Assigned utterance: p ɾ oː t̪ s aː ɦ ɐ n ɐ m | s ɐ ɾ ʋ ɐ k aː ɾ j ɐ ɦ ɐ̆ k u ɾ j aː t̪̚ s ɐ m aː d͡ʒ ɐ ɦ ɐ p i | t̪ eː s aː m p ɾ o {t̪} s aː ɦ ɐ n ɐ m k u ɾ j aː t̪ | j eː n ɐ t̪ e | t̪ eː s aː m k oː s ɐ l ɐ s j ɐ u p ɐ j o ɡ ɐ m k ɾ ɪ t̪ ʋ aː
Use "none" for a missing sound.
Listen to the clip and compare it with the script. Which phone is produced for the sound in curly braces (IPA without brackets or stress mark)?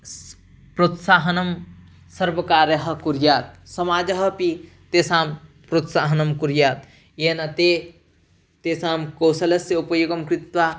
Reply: t̪